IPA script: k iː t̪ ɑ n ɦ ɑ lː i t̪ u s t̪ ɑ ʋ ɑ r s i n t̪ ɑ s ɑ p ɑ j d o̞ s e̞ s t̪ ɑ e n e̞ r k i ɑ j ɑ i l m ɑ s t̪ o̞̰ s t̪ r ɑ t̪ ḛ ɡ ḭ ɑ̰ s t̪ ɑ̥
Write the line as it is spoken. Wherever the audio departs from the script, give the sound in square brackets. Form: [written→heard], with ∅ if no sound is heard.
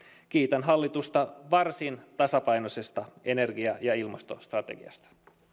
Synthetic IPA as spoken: k iː t̪ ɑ n ɦ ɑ lː i t̪ u s t̪ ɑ ʋ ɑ r s i n t̪ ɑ s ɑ p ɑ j [d→n] o̞ s e̞ s t̪ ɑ e n e̞ r [k→ɡ] i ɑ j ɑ i l m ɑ s t̪ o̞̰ s t̪ r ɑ t̪ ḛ ɡ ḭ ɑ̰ s t̪ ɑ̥